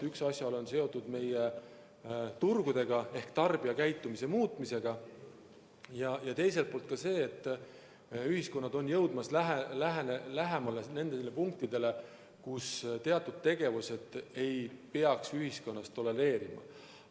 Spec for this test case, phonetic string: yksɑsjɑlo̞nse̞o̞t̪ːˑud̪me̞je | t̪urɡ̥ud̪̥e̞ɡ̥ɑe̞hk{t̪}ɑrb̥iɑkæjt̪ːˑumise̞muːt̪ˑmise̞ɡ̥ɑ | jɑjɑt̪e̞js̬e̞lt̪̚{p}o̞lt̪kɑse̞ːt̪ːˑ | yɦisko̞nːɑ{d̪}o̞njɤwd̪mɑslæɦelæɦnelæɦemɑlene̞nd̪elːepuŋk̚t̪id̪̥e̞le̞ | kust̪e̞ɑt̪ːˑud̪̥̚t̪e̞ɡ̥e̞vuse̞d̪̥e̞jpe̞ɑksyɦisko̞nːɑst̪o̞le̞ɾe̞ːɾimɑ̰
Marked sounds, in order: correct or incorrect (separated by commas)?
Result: correct, correct, correct